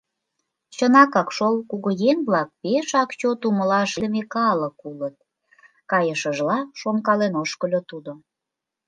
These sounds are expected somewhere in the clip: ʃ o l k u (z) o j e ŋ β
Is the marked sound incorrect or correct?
incorrect